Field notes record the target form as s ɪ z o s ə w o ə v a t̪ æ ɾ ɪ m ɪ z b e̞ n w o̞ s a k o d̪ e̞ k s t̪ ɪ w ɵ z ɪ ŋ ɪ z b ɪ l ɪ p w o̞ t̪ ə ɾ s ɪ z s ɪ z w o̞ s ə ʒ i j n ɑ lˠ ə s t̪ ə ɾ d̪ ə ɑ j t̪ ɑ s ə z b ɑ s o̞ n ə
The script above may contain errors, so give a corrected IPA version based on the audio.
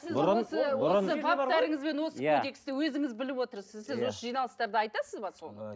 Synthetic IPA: s ɪ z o s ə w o ə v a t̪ æ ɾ ɪ ŋ ɪ z b e̞ n w o̞ s ə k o d̪ e̞ k s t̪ ɪ w ɵ z ɪ ŋ ɪ z b ɪ l ɪ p w o̞ t̪ ə ɾ s ɪ z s ɪ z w o̞ s ə ʒ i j n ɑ lˠ ə s t̪ ɑ ɾ d̪ ə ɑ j t̪ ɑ s ə z b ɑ s o̞ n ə